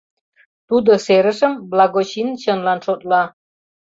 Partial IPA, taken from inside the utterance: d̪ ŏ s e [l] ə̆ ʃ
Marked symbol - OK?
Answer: no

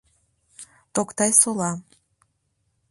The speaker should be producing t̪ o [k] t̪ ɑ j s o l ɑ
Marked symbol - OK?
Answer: yes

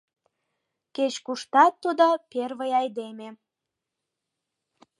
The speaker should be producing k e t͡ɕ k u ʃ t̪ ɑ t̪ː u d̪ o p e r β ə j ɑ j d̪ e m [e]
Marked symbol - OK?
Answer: yes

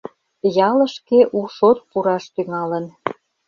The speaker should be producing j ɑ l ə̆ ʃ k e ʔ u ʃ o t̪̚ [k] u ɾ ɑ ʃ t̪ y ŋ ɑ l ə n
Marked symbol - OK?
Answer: no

